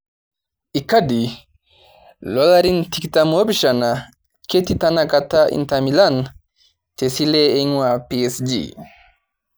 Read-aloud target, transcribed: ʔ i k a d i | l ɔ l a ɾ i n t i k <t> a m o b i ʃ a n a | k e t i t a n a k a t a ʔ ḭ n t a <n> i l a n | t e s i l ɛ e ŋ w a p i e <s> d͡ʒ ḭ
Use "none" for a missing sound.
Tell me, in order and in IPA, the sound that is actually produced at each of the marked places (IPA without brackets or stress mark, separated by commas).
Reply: t, m, s